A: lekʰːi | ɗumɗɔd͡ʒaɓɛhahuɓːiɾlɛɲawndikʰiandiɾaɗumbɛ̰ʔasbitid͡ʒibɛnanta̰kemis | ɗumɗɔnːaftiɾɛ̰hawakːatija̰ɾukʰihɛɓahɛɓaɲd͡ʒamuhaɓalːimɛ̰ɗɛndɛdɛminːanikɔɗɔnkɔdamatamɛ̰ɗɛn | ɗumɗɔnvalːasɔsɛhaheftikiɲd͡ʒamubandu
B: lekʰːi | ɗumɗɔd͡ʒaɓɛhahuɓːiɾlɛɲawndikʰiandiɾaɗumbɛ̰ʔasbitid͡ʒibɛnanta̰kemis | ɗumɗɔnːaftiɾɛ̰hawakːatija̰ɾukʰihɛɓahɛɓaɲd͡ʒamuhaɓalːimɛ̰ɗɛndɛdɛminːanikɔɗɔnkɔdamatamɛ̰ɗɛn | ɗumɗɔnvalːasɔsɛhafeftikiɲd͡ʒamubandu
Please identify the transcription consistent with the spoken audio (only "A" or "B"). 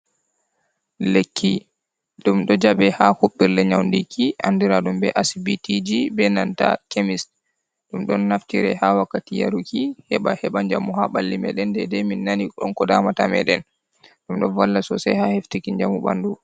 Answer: A